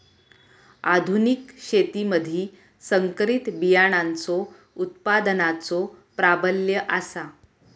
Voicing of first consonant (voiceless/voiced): voiced